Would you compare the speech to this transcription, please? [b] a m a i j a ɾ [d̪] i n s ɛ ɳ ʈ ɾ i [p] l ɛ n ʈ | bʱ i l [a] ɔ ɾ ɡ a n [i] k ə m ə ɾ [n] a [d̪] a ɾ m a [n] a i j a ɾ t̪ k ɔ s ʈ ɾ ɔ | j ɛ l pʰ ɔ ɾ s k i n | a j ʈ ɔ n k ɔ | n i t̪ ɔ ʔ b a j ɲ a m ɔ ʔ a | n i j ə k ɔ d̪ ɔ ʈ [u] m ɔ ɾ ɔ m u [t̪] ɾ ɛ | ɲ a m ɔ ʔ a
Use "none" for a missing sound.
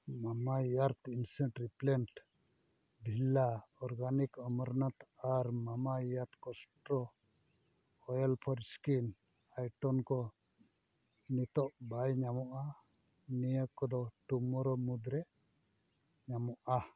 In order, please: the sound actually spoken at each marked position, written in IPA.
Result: m, t̪, p, a, i, n, t̪, m, u, d̪

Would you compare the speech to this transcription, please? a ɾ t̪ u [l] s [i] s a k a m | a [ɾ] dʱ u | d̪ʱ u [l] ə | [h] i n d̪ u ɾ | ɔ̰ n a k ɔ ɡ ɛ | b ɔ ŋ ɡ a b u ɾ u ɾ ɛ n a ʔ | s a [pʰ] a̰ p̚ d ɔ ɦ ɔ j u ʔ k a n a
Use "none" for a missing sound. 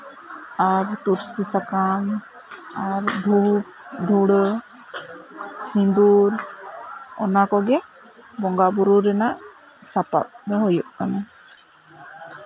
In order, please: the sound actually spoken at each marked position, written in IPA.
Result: ɾ, i, ɾ, ɽ, s, p

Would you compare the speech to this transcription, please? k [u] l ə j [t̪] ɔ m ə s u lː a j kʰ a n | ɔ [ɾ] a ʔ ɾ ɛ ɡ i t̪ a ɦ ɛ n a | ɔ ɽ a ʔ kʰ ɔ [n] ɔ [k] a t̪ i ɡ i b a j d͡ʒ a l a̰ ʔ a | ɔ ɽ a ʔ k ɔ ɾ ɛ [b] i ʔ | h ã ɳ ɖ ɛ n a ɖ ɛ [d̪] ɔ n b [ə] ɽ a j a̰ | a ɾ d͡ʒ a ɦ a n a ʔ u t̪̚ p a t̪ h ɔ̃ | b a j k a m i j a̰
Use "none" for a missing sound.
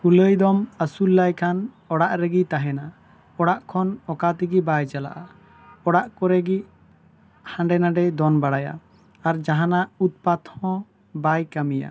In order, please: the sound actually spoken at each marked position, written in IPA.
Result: u, d̪, ɽ, n, k, ɡ, d̪, a

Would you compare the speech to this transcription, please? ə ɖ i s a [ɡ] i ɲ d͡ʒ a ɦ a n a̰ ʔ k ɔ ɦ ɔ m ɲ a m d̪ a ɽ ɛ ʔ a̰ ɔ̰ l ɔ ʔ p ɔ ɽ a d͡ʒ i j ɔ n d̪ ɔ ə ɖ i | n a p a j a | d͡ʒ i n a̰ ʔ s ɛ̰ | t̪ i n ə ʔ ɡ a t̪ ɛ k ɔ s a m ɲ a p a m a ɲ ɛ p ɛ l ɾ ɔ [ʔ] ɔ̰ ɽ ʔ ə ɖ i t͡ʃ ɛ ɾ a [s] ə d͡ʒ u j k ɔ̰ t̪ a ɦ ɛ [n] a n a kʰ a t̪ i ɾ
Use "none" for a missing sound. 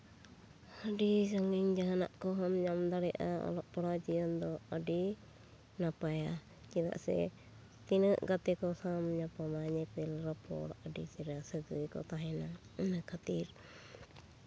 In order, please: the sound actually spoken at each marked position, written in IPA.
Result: ŋ, p, s, n

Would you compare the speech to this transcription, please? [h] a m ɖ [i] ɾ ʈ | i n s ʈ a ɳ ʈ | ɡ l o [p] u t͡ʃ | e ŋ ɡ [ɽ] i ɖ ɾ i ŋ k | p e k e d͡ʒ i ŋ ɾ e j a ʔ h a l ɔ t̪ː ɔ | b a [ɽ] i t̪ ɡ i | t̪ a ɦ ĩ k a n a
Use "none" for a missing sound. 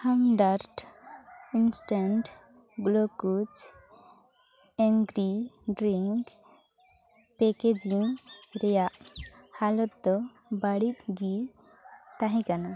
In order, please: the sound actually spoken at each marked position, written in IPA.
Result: h, a, k, ɾ, ɽ

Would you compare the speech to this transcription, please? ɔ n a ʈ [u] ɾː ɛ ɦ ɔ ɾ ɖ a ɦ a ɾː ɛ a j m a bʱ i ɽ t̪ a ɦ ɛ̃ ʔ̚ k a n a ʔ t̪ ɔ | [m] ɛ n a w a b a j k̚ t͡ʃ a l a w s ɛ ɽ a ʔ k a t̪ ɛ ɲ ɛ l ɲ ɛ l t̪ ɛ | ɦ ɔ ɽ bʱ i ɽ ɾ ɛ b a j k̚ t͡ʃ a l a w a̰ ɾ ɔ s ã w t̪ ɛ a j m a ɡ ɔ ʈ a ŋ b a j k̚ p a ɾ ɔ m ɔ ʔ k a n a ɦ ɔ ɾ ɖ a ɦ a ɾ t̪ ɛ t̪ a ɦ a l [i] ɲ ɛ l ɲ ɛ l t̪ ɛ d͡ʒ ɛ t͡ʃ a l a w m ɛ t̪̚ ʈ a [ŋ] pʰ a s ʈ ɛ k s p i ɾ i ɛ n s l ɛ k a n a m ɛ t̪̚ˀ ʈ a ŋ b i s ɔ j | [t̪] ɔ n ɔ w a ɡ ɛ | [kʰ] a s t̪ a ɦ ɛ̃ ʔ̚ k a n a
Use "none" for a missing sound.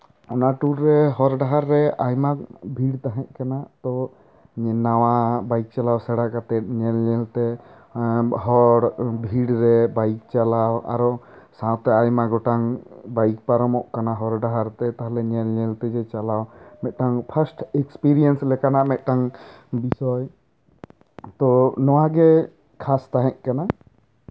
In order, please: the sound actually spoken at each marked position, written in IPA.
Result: u, ɲ, ɛ, ŋ, t̪, kʰ

